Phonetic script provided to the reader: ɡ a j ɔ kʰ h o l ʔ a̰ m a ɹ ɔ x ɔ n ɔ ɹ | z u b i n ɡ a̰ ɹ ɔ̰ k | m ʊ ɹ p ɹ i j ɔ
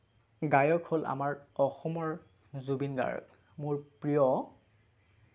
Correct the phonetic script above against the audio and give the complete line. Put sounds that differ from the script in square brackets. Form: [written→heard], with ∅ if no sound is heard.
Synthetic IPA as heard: ɡ a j ɔ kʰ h o l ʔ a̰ m a ɹ ɔ x ɔ [n→m] ɔ ɹ | z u b i n ɡ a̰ ɹ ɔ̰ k | m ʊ ɹ p ɹ i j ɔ